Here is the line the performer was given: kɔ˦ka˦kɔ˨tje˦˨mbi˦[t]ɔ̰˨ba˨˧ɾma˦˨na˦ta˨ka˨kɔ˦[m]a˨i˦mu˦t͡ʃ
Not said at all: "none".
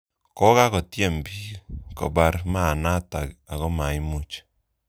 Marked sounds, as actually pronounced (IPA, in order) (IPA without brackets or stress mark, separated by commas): k, m